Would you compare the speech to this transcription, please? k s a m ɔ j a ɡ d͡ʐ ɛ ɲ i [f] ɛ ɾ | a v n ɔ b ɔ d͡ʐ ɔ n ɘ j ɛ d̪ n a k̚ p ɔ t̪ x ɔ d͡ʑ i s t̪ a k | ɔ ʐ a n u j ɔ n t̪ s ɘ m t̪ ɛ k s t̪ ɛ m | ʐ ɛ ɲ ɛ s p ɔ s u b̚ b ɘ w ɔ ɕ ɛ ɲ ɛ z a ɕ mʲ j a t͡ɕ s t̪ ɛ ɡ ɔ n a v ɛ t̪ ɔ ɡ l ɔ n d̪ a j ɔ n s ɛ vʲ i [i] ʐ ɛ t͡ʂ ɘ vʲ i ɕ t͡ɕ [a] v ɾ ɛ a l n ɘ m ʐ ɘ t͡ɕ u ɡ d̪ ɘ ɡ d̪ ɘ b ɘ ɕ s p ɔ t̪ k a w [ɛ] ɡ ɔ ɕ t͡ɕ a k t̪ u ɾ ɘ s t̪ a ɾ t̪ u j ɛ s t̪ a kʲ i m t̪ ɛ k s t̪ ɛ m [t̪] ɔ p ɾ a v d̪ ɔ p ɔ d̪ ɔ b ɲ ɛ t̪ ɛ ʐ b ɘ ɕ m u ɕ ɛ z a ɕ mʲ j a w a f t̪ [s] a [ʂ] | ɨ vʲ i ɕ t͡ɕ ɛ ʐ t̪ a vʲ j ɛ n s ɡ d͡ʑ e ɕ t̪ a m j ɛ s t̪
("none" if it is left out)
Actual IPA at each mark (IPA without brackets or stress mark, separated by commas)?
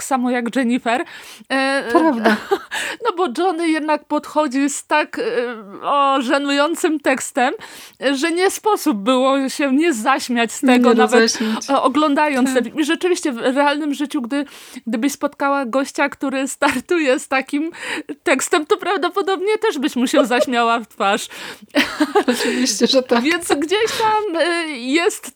f, i, ɛ, a, t̪, f, ʂ